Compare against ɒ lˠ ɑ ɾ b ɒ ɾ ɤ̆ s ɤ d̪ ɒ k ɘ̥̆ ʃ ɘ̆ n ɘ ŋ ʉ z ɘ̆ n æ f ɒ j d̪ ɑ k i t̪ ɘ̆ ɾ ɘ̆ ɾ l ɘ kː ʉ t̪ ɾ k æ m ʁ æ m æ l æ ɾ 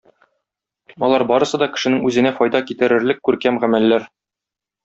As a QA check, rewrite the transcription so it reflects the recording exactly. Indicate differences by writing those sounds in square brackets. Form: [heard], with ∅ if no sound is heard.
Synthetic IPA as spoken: ɒ lˠ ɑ ɾ b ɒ ɾ ɤ̆ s ɤ d̪ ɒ k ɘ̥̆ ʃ ɘ̆ n ɘ ŋ ʉ z ɘ̆ n æ f ɒ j d̪ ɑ k i t̪ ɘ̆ ɾ ɘ̆ ɾ l ɘ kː ʉ [∅] ɾ k æ m ʁ æ m æ [lː] æ ɾ